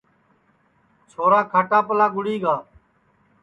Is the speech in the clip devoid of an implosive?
yes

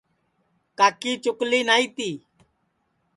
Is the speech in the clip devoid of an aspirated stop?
yes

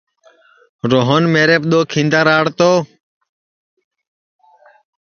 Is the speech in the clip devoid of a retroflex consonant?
no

